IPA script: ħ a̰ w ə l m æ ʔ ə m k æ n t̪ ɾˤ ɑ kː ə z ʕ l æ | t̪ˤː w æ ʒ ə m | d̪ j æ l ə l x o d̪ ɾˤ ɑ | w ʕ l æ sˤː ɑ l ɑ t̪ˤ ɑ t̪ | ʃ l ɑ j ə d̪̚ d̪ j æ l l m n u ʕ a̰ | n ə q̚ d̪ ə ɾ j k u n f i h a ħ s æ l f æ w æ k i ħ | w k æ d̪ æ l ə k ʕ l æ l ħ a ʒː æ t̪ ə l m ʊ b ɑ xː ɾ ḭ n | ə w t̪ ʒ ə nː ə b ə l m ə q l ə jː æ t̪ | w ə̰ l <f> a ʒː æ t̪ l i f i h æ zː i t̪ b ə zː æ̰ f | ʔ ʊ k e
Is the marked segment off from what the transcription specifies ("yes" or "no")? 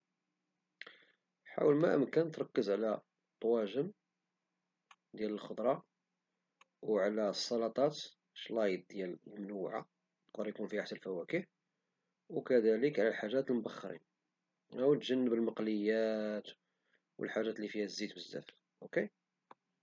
yes